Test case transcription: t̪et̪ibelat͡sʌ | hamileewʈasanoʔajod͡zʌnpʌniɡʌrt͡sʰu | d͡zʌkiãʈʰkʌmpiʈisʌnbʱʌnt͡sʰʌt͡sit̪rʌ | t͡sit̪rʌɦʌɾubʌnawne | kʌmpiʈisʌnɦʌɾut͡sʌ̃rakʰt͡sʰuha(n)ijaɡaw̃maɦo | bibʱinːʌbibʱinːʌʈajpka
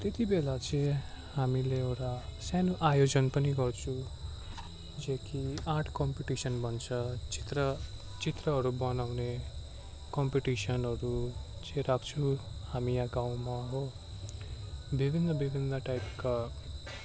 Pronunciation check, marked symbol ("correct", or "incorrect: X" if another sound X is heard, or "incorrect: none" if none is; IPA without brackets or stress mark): incorrect: m